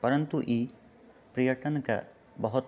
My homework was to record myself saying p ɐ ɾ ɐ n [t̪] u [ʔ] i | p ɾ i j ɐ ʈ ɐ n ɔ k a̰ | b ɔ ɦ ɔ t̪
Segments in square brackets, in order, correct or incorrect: correct, correct

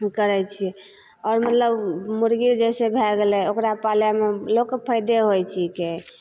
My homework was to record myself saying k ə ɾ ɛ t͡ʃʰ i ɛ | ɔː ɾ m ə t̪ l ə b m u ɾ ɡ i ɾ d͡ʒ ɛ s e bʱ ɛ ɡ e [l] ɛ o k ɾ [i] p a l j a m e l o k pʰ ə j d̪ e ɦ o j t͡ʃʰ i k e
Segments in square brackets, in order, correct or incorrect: correct, incorrect

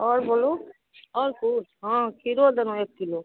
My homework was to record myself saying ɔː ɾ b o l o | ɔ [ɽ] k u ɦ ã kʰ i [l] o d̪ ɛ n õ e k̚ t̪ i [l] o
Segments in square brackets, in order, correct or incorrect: incorrect, incorrect, correct

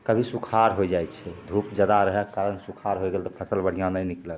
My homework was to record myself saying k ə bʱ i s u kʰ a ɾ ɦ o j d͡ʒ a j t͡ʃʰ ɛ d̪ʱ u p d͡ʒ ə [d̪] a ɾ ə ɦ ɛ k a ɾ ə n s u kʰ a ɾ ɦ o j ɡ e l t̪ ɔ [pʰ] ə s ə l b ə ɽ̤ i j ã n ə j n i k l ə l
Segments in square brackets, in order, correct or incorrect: correct, correct

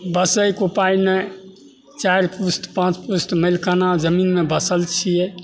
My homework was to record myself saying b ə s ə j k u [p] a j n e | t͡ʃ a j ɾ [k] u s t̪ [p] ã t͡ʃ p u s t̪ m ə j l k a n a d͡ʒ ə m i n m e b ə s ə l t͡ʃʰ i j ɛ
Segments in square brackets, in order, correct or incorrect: correct, incorrect, correct

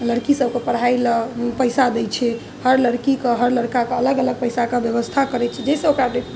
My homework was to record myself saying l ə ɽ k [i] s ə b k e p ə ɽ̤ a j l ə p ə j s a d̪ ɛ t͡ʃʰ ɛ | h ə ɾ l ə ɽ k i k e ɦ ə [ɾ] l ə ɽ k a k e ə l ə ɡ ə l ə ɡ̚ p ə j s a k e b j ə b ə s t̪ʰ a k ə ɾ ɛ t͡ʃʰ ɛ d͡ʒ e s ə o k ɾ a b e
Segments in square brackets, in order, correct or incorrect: correct, correct

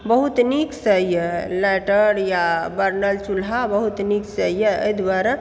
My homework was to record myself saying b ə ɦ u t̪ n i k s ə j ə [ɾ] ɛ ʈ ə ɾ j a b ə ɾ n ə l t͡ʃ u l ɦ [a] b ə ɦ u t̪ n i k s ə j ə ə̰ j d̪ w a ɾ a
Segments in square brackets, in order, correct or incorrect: incorrect, correct

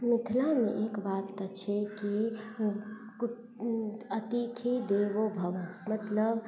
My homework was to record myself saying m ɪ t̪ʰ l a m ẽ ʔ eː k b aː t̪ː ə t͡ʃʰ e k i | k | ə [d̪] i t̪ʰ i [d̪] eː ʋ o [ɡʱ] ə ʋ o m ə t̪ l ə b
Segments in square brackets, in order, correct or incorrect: incorrect, correct, incorrect

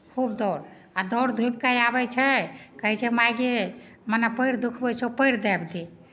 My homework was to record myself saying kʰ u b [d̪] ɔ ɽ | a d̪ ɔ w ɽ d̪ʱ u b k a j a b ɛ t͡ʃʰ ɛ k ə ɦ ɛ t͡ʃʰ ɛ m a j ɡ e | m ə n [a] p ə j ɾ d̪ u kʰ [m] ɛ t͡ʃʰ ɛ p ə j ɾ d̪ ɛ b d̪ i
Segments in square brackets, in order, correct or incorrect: correct, correct, incorrect

